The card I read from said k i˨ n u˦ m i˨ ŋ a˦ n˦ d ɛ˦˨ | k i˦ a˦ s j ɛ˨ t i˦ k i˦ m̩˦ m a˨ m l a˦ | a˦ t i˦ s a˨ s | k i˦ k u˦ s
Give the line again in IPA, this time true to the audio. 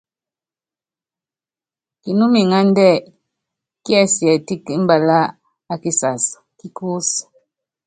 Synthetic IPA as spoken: k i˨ n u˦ m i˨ ŋ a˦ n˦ d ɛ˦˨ | k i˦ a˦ s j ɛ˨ t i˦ k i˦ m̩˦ b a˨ l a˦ | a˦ k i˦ s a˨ s | k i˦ k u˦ s